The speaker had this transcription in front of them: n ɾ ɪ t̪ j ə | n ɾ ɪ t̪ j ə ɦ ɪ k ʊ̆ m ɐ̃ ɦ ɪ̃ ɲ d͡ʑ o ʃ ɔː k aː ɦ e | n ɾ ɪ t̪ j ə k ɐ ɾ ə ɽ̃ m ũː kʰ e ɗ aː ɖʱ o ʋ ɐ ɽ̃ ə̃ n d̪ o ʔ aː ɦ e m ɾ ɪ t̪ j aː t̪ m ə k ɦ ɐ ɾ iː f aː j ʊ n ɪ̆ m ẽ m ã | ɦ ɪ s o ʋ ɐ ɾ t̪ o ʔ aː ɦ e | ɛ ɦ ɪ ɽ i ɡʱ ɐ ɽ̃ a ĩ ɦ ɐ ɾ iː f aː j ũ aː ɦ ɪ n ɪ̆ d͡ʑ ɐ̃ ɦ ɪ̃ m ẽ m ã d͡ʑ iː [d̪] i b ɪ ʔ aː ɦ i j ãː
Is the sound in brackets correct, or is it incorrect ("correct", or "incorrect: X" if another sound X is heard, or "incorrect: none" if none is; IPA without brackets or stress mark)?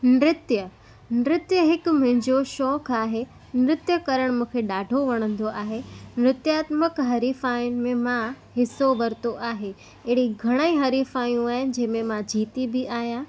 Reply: incorrect: t̪